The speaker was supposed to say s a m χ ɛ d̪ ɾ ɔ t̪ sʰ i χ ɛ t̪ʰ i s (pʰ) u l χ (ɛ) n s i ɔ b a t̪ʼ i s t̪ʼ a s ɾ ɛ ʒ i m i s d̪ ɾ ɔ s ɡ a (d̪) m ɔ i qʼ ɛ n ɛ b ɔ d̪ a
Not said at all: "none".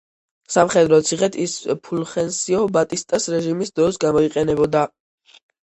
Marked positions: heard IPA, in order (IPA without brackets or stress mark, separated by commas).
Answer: pʰ, ɛ, none